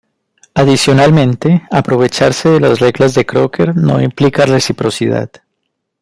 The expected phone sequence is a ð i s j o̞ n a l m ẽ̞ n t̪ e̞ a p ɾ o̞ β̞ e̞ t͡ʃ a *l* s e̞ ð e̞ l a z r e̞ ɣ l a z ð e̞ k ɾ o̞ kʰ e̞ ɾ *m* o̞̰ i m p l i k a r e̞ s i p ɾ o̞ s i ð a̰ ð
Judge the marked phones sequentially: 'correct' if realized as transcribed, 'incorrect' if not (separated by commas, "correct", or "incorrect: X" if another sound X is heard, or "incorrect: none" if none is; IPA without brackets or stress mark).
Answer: incorrect: ɾ, incorrect: n